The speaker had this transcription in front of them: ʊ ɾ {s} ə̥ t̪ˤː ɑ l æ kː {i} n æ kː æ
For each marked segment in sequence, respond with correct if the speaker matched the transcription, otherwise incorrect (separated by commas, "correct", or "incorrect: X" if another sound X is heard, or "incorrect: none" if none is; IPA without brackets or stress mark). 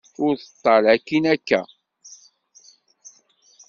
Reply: incorrect: θ, correct